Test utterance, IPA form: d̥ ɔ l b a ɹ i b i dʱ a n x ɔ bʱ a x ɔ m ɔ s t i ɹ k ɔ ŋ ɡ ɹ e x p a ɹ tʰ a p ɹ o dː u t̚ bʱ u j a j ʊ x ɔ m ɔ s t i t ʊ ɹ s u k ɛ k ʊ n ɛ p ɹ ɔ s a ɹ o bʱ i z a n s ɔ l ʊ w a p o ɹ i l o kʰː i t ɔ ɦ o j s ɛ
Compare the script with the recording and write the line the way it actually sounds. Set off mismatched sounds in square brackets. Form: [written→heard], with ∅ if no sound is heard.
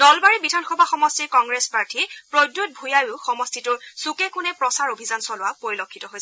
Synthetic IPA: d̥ ɔ l b a ɹ i b i dʱ a n x ɔ bʱ a x ɔ m ɔ s t i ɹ k ɔ ŋ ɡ ɹ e [x→s] p a ɹ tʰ [a→i] p ɹ o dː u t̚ bʱ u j a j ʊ x ɔ m ɔ s t i t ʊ ɹ s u k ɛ k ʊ n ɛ p ɹ ɔ s a ɹ o bʱ i z a n s ɔ l ʊ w a p o ɹ i l o kʰː i t ɔ ɦ o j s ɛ